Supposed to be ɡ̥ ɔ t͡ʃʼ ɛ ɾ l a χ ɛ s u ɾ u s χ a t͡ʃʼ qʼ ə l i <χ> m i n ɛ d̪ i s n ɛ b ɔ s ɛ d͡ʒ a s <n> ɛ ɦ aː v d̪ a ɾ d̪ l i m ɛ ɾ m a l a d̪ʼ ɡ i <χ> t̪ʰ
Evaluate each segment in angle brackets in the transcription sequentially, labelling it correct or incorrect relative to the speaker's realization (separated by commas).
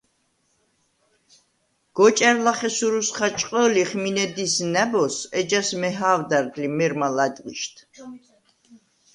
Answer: correct, incorrect, incorrect